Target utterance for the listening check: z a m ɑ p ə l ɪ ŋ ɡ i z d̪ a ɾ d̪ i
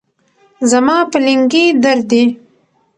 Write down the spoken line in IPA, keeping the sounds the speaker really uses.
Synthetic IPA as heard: z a m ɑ p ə l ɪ ŋ ɡ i d̪ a ɾ d̪ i